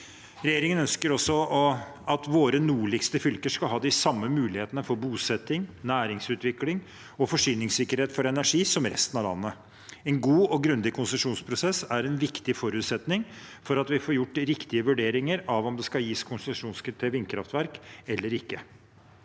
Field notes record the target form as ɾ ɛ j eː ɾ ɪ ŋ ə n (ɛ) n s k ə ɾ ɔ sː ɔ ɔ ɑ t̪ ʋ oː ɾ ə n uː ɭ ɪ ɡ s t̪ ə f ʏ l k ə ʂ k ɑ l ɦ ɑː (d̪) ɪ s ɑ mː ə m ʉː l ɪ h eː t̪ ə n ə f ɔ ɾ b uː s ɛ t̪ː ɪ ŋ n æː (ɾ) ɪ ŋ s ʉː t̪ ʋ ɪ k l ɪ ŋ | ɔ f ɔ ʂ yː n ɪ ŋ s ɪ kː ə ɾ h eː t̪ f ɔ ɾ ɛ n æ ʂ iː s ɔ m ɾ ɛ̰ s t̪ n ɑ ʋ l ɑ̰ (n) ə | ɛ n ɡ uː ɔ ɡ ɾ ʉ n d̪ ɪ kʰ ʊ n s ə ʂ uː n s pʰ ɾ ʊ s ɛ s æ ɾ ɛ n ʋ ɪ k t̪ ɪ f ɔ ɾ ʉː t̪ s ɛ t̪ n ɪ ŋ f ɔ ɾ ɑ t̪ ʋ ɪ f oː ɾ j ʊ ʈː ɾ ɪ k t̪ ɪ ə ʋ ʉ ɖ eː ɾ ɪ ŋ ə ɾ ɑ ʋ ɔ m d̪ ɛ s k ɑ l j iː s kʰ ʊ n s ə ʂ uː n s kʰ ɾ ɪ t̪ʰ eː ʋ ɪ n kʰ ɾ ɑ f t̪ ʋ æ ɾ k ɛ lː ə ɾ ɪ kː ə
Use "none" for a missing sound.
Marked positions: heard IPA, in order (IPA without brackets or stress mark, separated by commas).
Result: œ, d̪, ɾ, nː